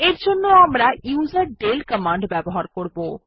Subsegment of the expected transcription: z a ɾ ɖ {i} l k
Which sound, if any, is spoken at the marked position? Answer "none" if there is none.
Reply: e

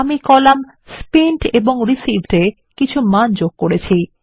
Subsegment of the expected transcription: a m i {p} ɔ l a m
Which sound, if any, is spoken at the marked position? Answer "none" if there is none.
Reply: k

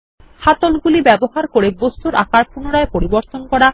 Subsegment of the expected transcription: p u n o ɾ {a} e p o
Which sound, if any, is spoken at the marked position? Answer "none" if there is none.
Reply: a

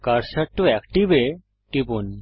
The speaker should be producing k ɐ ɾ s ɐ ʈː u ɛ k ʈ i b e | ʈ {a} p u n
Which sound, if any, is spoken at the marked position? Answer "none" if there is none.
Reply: i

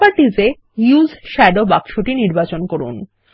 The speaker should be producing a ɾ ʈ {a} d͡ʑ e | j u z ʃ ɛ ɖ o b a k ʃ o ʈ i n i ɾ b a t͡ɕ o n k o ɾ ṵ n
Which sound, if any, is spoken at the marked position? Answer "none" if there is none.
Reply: i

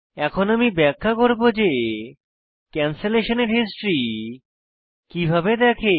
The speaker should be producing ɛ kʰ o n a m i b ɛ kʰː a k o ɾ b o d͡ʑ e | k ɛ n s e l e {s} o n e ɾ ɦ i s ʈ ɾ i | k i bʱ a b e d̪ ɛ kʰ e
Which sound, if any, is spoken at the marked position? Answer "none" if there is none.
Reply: ʃ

